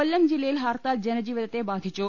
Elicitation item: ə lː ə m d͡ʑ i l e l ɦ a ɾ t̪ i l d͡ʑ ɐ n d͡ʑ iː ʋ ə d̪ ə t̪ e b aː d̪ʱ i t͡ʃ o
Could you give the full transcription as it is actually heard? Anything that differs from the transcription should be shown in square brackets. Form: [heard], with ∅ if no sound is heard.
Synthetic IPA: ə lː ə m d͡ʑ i l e l ɦ a ɾ t̪ [a] l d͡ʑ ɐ n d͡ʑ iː ʋ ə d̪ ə t̪ e b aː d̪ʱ i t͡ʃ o